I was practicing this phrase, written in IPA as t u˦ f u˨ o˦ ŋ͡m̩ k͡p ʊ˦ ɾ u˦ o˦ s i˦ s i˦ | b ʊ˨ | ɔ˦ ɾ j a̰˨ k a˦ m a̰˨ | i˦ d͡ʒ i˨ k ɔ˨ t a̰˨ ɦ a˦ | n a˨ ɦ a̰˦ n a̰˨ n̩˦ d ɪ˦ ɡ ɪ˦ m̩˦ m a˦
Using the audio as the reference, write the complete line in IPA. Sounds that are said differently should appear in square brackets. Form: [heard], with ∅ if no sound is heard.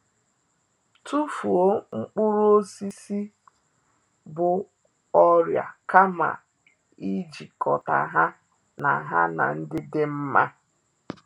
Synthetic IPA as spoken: t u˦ f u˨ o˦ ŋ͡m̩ k͡p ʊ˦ ɾ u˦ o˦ s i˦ s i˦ | b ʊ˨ | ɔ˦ ɾ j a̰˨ k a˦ m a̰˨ | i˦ d͡ʒ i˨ k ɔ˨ t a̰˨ ɦ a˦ | n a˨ ɦ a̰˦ n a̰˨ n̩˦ d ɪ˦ [d] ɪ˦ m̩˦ m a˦